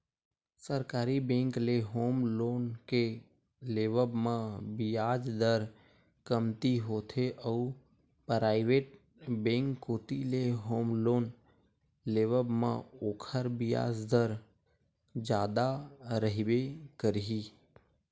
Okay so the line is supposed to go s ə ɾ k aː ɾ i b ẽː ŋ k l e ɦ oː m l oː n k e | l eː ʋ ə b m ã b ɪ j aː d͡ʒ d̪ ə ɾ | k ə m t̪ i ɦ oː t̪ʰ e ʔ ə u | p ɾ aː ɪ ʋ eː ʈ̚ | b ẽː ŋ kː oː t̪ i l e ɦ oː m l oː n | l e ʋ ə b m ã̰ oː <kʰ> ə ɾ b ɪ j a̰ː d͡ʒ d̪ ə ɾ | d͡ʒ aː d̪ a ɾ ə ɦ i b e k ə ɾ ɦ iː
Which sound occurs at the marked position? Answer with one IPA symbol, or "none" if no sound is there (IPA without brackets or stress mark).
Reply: kʰ